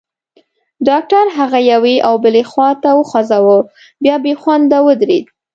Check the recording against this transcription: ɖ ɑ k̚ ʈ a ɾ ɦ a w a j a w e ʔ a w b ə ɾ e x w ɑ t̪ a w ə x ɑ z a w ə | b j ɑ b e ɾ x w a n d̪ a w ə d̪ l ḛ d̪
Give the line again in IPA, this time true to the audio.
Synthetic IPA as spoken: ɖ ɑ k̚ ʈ a ɾ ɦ a ɣ a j a w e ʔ a w b ə l e x w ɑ t̪ a w ə x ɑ z a w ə | b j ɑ b e x w a n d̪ a w ə d̪ ɾ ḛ d̪